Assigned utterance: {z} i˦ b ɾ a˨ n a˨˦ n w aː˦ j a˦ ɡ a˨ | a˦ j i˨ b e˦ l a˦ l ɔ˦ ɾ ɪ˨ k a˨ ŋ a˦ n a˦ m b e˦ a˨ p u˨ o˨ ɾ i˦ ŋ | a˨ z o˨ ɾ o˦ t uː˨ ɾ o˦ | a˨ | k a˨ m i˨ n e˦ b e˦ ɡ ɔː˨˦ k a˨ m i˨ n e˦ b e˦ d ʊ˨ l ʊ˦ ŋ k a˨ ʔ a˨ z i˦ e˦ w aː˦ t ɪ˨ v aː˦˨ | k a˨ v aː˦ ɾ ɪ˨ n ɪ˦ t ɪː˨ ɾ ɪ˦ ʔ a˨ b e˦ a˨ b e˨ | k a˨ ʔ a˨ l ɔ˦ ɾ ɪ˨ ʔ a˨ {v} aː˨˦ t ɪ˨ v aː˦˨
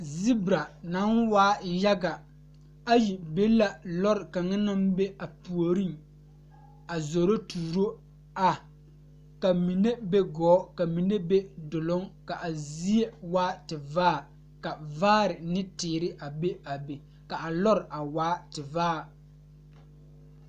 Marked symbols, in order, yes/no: yes, no

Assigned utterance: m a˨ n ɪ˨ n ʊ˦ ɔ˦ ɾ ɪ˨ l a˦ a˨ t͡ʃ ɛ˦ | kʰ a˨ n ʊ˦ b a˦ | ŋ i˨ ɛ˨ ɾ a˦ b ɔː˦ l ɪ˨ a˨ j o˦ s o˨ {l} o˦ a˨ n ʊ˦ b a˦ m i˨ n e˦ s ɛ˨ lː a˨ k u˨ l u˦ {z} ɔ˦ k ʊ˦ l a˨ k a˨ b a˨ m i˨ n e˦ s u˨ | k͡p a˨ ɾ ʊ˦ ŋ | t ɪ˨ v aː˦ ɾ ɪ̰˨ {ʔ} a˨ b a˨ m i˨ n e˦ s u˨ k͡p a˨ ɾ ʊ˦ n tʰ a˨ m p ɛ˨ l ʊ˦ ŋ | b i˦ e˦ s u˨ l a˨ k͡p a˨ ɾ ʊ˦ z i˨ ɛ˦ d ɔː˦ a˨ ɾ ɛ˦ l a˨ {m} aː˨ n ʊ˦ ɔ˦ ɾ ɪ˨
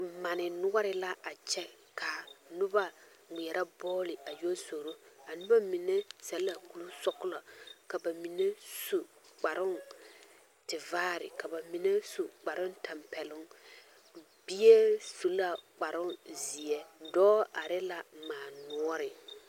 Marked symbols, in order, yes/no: no, no, no, yes

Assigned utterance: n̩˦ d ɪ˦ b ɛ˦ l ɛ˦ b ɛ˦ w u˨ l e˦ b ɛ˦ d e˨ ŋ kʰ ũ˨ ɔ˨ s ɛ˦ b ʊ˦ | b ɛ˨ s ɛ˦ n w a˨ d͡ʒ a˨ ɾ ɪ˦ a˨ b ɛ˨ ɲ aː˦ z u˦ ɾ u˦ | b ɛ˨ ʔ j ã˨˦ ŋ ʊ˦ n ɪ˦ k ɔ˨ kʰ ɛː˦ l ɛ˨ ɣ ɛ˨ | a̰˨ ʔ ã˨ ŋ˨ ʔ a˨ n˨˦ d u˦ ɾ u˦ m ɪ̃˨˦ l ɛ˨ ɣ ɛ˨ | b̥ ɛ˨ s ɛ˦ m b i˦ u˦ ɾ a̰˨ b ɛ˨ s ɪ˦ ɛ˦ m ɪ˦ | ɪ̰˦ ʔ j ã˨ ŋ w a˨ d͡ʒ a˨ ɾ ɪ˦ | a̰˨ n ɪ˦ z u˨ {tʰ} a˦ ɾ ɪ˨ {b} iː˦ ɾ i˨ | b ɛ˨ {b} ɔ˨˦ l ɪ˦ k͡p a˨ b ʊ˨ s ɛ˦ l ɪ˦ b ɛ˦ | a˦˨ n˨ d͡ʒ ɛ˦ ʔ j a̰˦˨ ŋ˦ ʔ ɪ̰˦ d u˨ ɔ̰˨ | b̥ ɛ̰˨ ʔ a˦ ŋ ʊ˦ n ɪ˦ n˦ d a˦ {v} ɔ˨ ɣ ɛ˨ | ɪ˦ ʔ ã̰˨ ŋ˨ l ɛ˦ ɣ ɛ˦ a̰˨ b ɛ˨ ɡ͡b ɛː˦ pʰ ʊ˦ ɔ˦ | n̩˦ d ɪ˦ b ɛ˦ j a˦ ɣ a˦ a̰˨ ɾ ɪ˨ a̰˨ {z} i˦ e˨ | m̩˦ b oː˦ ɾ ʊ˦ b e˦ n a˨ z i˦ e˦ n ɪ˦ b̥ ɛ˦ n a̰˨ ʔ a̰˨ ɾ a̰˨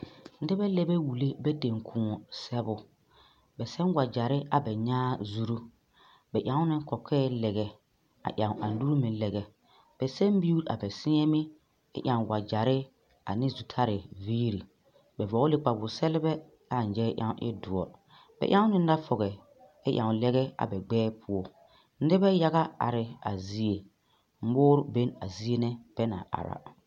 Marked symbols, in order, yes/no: yes, no, no, no, yes

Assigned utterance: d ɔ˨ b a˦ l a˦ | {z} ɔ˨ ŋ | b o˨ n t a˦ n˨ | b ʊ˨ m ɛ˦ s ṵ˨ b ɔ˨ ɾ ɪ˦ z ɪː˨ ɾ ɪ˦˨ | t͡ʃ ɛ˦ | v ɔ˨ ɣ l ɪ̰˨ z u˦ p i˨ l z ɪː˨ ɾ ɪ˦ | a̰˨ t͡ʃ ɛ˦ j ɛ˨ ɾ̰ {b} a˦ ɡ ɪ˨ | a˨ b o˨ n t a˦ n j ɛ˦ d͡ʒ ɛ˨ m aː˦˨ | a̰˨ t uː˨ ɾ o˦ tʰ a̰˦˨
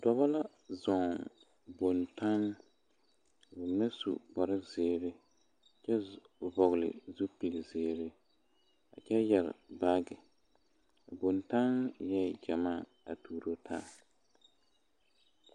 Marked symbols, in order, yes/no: yes, yes

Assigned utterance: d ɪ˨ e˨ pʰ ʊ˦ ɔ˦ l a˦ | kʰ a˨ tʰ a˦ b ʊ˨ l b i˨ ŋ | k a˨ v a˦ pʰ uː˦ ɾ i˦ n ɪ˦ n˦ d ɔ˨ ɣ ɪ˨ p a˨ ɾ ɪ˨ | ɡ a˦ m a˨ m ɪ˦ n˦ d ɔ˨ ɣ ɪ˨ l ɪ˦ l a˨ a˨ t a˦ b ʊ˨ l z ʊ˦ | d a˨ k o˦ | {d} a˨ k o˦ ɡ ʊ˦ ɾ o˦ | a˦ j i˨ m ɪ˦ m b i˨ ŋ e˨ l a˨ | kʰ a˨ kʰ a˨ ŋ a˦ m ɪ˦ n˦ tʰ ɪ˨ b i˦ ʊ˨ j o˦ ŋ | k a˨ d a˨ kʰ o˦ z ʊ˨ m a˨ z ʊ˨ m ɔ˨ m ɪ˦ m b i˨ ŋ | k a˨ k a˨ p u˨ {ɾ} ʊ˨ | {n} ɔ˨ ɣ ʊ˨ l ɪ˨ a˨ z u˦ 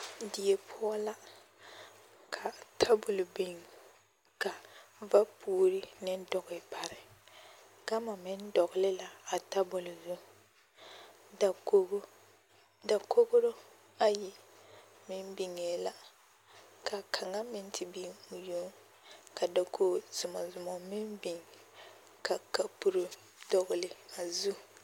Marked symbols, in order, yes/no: yes, yes, no

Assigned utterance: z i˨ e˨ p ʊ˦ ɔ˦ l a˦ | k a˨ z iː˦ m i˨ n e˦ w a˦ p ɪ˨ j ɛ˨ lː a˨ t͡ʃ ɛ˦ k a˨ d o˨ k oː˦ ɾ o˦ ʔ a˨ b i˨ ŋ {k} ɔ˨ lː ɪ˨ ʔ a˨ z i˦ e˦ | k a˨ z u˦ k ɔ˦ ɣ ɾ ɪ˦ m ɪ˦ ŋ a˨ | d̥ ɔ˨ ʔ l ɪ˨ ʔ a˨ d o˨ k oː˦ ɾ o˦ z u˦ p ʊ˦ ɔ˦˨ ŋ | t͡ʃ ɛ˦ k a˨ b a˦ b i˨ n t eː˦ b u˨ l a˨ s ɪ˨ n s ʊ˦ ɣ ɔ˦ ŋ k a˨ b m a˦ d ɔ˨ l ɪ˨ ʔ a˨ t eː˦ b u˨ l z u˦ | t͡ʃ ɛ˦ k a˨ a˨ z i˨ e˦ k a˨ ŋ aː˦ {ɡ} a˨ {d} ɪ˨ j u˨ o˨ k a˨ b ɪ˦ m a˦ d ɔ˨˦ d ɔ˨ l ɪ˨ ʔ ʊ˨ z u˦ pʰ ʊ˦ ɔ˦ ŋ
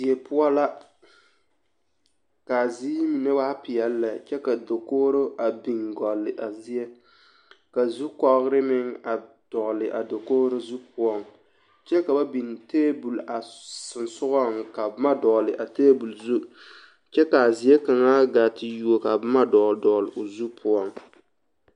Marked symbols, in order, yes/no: no, yes, no

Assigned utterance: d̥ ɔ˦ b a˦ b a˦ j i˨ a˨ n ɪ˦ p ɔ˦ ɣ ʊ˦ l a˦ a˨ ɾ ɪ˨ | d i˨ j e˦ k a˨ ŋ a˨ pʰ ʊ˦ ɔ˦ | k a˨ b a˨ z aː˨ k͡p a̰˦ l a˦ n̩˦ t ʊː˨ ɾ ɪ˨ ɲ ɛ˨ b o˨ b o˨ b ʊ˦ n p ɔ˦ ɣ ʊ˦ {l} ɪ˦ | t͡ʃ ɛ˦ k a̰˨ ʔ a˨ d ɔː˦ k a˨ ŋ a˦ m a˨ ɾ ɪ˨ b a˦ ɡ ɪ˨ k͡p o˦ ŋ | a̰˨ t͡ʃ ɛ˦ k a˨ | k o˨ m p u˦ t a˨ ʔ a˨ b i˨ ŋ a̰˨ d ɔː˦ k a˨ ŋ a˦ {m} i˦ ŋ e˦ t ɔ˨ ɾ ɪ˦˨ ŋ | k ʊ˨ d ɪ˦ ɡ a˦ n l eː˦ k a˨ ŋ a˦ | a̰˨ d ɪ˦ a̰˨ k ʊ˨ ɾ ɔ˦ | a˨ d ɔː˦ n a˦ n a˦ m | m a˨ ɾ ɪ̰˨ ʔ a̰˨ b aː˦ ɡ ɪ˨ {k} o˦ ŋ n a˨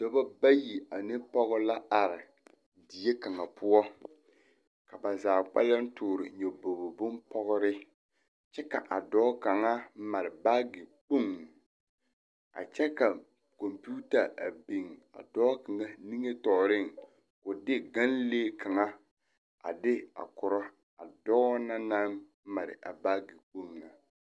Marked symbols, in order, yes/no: no, no, no

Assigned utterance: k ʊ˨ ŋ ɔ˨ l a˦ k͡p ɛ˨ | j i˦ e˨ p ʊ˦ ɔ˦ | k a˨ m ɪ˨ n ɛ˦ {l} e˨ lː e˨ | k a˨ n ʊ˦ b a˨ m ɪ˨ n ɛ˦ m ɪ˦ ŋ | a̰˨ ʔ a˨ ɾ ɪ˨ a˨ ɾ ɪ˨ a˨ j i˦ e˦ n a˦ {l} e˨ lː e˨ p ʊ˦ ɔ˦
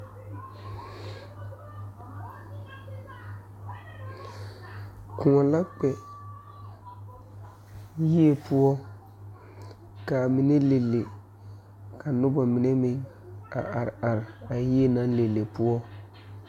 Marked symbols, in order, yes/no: yes, yes

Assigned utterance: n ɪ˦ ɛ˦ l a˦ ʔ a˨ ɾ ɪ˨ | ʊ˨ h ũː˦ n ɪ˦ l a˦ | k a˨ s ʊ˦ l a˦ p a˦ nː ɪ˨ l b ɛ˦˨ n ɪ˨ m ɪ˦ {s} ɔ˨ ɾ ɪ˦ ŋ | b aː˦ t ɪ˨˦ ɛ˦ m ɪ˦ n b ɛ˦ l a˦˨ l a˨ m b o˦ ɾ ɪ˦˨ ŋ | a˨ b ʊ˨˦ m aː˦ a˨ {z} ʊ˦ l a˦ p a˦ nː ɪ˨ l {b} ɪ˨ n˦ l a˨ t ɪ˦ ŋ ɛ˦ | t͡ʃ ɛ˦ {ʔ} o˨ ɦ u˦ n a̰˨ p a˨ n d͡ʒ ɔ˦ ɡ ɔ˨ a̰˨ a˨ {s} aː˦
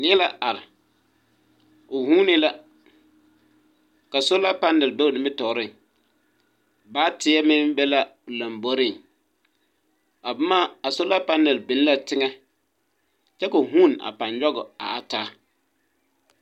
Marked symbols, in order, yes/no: no, no, yes, no, no

